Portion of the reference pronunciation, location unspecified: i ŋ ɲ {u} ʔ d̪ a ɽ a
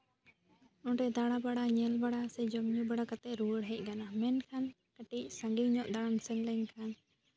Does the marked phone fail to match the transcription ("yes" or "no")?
yes